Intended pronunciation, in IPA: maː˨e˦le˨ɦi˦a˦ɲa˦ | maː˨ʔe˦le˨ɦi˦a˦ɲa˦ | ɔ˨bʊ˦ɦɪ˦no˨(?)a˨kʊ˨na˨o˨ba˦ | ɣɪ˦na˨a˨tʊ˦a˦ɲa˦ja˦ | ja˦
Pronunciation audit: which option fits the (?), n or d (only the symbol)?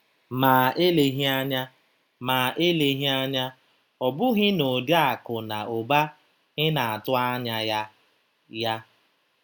d